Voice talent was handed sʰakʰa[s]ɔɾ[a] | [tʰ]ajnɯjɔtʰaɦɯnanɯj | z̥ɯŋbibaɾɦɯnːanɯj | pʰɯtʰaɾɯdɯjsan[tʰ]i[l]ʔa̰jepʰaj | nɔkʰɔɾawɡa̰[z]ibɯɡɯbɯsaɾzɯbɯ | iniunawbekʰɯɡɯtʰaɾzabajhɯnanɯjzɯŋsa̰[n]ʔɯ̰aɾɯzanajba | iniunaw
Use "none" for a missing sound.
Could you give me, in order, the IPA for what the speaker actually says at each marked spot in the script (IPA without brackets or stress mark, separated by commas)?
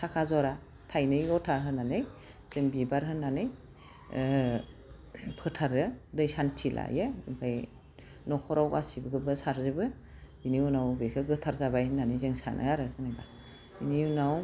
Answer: z, a, tʰ, tʰ, l, s, n